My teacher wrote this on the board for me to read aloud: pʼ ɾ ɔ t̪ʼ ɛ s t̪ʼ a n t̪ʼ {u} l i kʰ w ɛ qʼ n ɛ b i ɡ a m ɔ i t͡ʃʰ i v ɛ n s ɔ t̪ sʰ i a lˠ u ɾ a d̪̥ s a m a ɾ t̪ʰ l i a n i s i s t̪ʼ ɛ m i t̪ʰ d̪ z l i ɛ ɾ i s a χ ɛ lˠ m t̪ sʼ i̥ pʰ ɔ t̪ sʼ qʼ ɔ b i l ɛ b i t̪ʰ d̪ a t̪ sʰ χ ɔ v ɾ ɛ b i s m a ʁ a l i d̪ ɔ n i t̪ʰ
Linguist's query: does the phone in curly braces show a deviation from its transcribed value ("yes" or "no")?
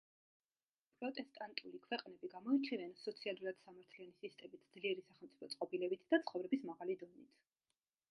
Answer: no